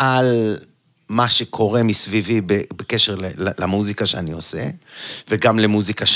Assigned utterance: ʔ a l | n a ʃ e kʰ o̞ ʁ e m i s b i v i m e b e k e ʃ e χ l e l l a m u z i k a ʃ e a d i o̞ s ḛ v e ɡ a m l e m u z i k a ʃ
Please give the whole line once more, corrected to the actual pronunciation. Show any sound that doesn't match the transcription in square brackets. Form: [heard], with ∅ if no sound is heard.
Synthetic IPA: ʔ a l | [m] a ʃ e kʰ o̞ ʁ e m i s [v] i v i [b] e b e k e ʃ e [ʁ] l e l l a m u z i k a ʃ e a [n] i o̞ s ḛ v e ɡ a m l e m u z i k a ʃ